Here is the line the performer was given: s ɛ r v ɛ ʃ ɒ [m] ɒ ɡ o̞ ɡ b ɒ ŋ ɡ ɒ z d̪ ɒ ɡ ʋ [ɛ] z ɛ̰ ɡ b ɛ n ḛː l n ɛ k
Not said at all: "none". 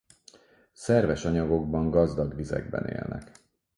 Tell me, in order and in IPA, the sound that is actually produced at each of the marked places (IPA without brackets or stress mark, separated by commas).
ɲ, i